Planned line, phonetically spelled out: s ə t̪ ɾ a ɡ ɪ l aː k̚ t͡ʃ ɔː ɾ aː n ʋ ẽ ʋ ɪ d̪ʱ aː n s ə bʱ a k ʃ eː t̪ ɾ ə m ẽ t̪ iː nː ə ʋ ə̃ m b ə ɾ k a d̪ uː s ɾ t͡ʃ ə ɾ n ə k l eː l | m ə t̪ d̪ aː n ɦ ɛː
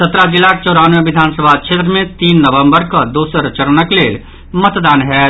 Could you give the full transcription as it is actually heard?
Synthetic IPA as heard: s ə t̪ ɾ a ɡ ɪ l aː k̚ t͡ʃ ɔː ɾ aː n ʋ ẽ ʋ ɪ d̪ʱ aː n s ə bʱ a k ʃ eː t̪ ɾ ə m ẽ t̪ iː nː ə ʋ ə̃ m b ə ɾ k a d̪ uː s ɾ t͡ʃ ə ɾ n ə k l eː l | m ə t̪ d̪ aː n ɦ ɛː